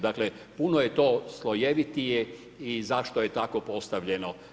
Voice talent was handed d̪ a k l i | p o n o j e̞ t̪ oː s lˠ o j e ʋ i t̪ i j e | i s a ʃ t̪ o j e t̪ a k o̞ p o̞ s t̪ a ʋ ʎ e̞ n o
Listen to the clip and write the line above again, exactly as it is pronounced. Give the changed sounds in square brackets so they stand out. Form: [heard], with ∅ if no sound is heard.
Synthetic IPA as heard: d̪ a k l [e] | p [u] n o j e̞ t̪ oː s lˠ o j e ʋ i t̪ i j e | i [z] a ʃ t̪ o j e t̪ a k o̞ p o̞ s t̪ a ʋ ʎ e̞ n o